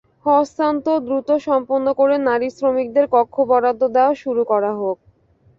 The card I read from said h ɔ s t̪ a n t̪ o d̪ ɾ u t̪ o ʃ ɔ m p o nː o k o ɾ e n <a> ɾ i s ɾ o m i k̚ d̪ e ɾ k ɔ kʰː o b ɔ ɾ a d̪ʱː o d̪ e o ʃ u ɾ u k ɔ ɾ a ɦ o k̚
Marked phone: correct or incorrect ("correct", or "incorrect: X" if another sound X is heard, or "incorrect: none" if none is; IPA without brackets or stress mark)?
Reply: correct